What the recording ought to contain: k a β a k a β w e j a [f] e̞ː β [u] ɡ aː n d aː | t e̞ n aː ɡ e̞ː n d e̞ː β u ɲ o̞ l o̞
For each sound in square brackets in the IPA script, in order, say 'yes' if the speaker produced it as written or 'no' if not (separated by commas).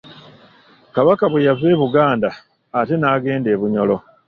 no, yes